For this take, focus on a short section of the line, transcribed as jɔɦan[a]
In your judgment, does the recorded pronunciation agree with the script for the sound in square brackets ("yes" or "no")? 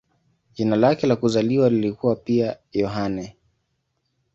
no